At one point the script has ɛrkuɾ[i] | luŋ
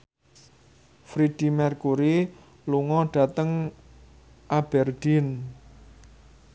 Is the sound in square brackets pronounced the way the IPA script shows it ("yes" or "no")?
yes